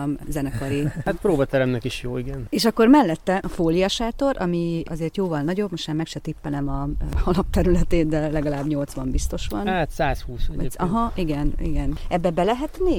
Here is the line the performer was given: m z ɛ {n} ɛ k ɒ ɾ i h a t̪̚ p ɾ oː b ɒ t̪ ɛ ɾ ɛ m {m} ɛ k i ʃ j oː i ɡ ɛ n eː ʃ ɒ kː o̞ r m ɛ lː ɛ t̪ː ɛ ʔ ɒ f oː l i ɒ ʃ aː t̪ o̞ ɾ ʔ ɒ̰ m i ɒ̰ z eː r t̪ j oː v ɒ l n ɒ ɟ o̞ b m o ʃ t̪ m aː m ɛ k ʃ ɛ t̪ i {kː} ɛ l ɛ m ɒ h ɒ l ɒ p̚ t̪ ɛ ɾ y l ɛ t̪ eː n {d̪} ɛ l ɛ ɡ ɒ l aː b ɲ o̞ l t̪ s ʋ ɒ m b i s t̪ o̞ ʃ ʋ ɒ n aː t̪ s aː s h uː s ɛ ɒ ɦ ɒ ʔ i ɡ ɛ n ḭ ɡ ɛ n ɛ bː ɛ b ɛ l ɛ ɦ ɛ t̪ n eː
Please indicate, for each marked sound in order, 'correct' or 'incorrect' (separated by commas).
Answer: correct, incorrect, incorrect, correct